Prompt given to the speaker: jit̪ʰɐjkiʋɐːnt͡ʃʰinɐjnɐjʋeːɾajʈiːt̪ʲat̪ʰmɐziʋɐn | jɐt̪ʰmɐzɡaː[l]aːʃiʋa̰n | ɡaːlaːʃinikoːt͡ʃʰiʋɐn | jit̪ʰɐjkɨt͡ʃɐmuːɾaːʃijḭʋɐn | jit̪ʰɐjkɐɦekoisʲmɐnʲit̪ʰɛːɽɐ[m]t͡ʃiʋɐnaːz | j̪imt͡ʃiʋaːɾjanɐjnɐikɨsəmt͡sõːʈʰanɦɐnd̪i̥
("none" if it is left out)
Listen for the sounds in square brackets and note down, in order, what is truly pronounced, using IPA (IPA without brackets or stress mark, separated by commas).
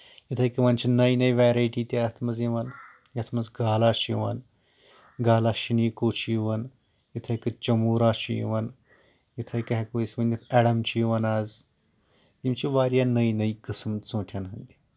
l, m